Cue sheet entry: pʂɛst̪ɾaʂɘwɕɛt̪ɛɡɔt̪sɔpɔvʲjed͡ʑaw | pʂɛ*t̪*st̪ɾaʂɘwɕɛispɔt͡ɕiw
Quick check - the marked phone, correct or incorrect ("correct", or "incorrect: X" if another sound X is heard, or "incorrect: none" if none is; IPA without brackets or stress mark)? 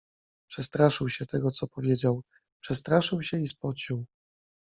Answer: incorrect: none